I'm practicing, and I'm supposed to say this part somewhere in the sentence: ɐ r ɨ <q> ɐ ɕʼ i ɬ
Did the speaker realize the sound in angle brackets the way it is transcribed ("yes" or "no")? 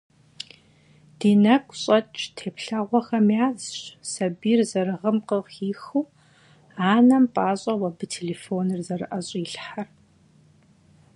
no